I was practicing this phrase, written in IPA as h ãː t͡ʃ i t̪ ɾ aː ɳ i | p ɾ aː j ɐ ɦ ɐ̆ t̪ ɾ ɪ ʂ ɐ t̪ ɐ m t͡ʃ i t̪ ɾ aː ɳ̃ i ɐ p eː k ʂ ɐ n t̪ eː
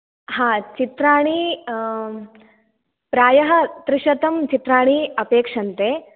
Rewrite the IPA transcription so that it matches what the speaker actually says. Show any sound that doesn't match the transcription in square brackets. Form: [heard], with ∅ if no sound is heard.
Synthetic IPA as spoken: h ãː t͡ʃ i t̪ ɾ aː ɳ i | p ɾ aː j ɐ ɦ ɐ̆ t̪ ɾ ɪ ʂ ɐ t̪ ɐ m t͡ʃ i t̪ ɾ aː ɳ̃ i ɐ p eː k ʂ ɐ n t̪ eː

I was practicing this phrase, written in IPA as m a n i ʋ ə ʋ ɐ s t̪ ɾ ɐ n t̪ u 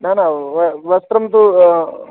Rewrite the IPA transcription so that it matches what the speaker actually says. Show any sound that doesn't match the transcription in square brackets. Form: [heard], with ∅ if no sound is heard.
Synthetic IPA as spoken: [n] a n [a] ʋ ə ʋ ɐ s t̪ ɾ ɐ [m] t̪ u

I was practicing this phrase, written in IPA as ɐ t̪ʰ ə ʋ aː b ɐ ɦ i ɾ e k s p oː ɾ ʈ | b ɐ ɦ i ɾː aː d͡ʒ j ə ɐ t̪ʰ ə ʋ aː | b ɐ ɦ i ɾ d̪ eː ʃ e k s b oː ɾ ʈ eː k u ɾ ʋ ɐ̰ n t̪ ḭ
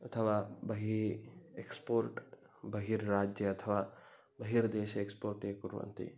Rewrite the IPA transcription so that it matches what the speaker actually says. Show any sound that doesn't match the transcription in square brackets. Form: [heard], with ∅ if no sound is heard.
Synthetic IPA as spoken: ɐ t̪ʰ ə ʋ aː b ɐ ɦ i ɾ e k s p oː ɾ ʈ | b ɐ ɦ i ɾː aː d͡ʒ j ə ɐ t̪ʰ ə ʋ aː | b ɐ ɦ i ɾ d̪ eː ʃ e k s [p] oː ɾ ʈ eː k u ɾ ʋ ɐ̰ n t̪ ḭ

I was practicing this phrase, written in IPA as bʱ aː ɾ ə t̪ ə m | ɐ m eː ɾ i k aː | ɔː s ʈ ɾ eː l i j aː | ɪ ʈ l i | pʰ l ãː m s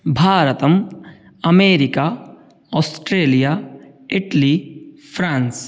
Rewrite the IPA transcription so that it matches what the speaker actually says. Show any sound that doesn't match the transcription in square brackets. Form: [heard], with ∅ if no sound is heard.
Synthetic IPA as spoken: bʱ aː ɾ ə t̪ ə m | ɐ m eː ɾ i k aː | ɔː s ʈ ɾ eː l i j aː | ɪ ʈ l i | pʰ [ɾ] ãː [n] s

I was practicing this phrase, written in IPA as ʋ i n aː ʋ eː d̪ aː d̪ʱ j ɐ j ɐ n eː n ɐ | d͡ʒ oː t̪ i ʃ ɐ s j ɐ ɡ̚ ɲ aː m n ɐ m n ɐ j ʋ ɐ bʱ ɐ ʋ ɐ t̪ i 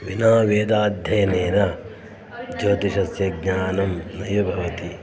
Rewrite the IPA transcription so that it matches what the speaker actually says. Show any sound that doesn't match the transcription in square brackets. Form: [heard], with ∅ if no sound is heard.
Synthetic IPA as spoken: ʋ i n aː ʋ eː d̪ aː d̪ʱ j ɐ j ɐ n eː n ɐ | d͡ʒ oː t̪ i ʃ ɐ s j ɐ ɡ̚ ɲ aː [∅] n ɐ m n ɐ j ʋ ɐ bʱ ɐ ʋ ɐ t̪ i

